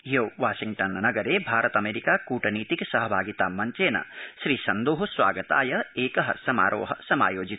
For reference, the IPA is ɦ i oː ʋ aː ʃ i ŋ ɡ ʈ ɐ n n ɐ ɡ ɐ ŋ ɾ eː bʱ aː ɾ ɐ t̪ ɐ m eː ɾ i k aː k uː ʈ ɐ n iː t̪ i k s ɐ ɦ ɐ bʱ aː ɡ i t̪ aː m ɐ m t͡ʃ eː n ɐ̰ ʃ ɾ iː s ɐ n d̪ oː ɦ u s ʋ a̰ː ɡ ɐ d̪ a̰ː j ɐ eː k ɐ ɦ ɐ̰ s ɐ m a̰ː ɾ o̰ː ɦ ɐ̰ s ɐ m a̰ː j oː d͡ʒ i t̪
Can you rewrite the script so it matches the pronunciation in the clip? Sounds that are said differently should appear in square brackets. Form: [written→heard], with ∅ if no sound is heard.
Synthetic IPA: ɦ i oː ʋ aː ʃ i ŋ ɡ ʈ ɐ n n ɐ ɡ ɐ [ŋ→∅] ɾ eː bʱ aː ɾ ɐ t̪ ɐ m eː ɾ i k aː k uː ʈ ɐ n iː t̪ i k s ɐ ɦ ɐ bʱ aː ɡ i t̪ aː m ɐ [m→ɲ] t͡ʃ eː n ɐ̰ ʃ ɾ iː s ɐ n d̪ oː ɦ u s ʋ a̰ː ɡ ɐ [d̪→t̪] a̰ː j ɐ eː k ɐ ɦ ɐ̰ s ɐ m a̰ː ɾ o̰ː ɦ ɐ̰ s ɐ m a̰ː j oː d͡ʒ i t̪